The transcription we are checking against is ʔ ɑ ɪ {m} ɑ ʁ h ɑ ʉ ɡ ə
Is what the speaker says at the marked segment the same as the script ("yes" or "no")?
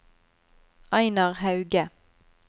no